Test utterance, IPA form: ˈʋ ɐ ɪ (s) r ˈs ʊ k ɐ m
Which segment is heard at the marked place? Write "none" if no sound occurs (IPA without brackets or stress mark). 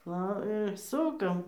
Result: none